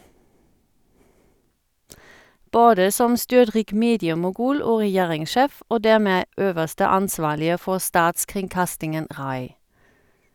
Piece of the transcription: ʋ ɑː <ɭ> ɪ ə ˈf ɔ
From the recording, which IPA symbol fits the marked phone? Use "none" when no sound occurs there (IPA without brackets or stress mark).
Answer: l